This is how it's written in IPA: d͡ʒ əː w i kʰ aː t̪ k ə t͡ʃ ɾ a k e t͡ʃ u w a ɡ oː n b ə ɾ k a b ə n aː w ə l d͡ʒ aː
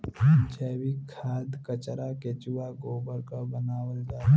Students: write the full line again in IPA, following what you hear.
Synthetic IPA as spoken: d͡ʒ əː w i kʰ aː d̪ k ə t͡ʃ ɾ a k e t͡ʃ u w a ɡ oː b ə ɾ k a b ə n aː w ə l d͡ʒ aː